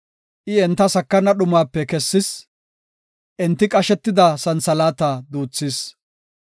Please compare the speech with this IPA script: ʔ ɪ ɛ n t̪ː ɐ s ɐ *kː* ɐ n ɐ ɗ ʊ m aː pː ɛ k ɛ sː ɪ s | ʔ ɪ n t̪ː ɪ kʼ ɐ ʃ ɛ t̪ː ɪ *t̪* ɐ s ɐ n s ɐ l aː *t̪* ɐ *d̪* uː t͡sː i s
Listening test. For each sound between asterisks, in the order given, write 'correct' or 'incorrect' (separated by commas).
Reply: correct, incorrect, correct, correct